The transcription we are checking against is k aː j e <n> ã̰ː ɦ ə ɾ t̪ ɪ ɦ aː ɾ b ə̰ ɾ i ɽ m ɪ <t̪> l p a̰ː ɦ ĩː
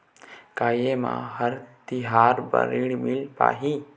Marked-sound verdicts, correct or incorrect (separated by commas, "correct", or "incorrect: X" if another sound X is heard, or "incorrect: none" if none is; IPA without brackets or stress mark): incorrect: m, incorrect: none